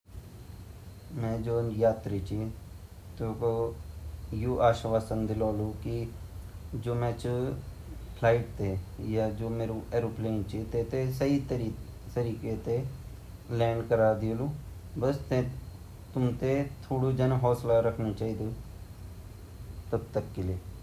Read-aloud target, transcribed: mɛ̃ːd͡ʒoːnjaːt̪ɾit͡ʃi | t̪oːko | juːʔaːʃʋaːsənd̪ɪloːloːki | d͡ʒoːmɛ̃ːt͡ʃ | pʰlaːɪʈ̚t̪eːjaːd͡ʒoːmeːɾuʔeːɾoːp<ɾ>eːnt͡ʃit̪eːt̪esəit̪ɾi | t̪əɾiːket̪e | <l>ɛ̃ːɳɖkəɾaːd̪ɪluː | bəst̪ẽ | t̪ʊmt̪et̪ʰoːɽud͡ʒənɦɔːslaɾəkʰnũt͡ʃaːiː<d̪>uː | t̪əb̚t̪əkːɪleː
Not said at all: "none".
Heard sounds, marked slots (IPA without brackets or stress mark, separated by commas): l, l, d̪